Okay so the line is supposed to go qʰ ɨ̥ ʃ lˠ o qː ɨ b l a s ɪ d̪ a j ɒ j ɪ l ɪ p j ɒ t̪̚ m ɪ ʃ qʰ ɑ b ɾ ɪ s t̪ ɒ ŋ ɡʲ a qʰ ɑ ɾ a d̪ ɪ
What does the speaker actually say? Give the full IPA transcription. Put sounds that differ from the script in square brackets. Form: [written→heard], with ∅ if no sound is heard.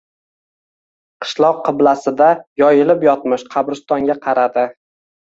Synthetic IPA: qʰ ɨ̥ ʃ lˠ [o→ɒ] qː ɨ b l a s ɪ d̪ a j ɒ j ɪ l ɪ p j ɒ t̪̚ m ɪ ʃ qʰ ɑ b ɾ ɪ s t̪ ɒ ŋ ɡʲ a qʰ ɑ ɾ a d̪ ɪ